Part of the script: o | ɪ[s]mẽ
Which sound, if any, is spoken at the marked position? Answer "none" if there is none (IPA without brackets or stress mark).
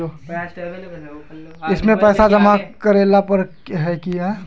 s